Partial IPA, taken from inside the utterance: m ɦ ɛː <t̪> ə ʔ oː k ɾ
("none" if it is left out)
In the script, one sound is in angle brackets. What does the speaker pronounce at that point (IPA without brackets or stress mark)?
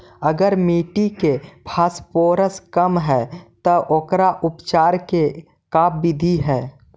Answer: t̪